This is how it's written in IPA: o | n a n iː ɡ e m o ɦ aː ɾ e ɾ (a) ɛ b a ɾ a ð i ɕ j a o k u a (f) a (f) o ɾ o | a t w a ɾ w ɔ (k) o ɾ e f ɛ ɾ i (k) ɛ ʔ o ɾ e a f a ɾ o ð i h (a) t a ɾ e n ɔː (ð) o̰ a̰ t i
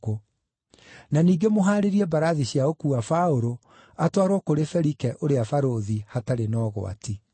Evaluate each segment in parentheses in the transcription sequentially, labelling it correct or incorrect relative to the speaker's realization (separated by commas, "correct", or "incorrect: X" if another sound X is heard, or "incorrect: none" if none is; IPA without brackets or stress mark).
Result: incorrect: i, correct, incorrect: none, correct, correct, correct, incorrect: ɣ